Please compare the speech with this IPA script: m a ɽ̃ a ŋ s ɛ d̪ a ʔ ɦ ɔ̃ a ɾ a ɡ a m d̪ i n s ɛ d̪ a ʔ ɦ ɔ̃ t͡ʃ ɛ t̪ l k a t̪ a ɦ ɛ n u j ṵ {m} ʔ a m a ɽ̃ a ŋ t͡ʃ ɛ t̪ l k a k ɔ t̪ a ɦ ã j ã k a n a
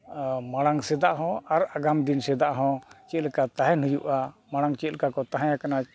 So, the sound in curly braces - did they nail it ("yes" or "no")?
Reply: no